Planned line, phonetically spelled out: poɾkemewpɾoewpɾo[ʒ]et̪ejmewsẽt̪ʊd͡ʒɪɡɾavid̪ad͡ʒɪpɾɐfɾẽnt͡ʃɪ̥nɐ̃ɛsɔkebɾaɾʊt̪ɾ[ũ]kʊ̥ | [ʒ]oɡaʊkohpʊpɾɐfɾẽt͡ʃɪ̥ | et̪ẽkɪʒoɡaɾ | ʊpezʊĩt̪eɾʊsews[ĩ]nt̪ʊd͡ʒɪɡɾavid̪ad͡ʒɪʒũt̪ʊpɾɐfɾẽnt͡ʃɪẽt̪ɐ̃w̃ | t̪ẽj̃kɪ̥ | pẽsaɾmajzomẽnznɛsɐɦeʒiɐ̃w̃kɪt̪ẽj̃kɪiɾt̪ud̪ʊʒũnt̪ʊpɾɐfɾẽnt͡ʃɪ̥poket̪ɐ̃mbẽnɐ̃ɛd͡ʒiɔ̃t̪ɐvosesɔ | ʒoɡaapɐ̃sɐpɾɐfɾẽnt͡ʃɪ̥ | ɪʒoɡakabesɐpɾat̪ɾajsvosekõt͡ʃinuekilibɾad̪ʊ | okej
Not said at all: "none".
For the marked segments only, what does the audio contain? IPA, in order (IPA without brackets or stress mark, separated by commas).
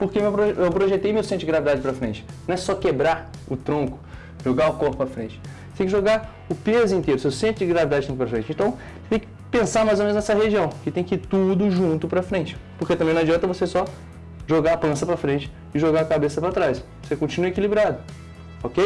ʒ, õ, ʒ, ẽ